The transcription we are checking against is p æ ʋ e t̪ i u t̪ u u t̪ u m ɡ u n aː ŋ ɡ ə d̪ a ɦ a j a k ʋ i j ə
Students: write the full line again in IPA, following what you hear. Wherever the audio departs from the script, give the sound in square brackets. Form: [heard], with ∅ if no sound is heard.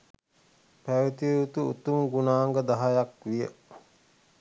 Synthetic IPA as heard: p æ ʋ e t̪ i u t̪ u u t̪ u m ɡ u n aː ŋ ɡ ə d̪ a ɦ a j a k ʋ i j ə